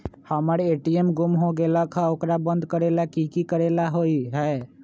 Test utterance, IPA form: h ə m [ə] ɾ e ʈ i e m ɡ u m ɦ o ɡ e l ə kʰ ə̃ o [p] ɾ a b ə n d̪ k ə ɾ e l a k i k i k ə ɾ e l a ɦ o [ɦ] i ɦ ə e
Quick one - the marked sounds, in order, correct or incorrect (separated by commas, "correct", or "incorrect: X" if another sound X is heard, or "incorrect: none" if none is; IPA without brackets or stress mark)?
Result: correct, incorrect: k, incorrect: none